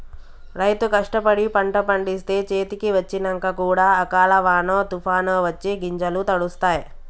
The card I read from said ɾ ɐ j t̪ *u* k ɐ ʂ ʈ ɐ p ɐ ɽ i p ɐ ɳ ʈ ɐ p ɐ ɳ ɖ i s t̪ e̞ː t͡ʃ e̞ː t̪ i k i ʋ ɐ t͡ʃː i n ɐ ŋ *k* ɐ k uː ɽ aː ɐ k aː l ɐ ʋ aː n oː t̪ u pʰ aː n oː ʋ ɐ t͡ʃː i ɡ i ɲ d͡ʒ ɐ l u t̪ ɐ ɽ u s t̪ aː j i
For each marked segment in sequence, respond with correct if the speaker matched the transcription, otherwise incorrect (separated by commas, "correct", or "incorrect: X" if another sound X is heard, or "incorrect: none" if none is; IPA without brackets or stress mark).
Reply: correct, correct